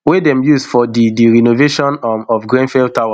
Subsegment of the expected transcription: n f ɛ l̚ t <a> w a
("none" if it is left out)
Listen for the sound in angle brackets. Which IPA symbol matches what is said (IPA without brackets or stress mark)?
a